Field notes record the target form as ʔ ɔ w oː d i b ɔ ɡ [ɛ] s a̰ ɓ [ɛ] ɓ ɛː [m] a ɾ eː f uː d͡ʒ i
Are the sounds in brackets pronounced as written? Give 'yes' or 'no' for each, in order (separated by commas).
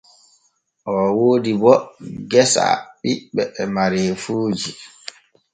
yes, no, yes